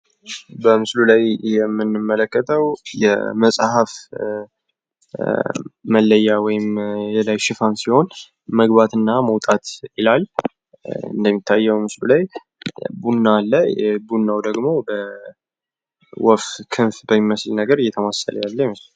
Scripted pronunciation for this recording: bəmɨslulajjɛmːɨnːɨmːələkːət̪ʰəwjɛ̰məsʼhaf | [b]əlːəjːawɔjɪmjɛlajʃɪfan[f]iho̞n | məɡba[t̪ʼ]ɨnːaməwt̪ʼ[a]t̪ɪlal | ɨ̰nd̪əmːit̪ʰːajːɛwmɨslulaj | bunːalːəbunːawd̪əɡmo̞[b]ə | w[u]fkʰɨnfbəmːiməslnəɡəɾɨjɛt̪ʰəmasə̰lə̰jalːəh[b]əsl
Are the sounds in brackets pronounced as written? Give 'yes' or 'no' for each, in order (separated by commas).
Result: no, no, no, yes, yes, no, no